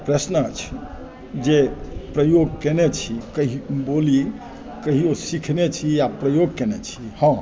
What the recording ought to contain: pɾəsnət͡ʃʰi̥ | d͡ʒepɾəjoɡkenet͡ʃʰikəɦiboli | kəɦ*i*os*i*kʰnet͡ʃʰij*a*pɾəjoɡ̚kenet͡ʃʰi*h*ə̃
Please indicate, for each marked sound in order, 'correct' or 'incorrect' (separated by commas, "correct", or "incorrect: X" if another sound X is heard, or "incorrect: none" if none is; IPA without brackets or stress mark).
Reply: correct, correct, correct, correct